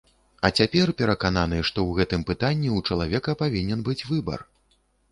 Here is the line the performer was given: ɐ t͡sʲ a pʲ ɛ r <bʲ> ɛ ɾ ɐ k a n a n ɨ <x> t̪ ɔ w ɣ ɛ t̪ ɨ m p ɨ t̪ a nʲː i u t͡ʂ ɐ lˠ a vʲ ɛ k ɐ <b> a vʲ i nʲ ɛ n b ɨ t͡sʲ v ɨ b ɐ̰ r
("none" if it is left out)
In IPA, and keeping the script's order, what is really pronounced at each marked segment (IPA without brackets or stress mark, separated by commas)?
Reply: pʲ, ʂ, p